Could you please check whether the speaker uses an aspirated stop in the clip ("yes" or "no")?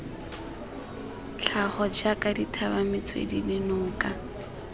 yes